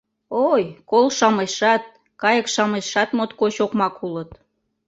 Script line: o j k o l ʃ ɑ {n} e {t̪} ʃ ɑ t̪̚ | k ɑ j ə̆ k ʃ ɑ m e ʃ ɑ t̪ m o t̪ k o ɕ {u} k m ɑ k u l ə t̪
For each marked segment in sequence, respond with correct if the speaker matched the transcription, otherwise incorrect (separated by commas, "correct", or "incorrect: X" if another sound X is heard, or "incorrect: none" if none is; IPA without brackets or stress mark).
incorrect: m, incorrect: none, incorrect: o